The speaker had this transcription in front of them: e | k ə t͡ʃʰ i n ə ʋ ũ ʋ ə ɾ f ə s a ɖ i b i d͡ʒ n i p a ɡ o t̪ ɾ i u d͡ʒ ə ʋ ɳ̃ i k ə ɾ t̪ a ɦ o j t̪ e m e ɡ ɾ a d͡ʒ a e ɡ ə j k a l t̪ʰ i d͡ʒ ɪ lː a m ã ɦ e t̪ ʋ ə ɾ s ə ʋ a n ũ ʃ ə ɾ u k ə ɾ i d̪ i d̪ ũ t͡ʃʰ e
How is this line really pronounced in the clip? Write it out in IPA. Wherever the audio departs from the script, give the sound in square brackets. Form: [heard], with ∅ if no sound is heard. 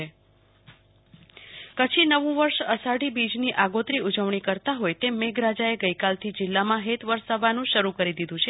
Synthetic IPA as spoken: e | k ə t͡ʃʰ i n ə ʋ ũ ʋ ə ɾ [ʃ] ə s a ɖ i b i d͡ʒ n i [ʔ] a ɡ o t̪ ɾ i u d͡ʒ ə ʋ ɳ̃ i k ə ɾ t̪ a ɦ o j t̪ e m e ɡ ɾ a d͡ʒ a e ɡ ə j k a l t̪ʰ i d͡ʒ ɪ lː a m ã ɦ e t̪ ʋ ə ɾ s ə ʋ a n ũ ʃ ə ɾ u k ə ɾ i d̪ i d̪ ũ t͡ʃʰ e